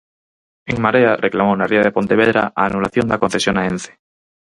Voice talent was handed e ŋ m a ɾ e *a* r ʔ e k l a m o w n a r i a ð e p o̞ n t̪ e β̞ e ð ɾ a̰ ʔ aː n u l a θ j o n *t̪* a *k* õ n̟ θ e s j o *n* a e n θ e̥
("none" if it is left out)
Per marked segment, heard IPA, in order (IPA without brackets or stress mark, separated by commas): a, d̪, k, n